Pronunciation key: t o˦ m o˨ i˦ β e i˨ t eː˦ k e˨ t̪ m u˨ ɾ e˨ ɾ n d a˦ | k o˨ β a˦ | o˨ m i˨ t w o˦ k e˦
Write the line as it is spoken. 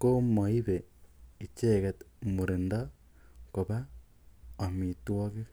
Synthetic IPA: k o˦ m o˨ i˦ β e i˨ t͡ʃ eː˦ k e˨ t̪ m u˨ ɾ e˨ n d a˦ | k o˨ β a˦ | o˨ m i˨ t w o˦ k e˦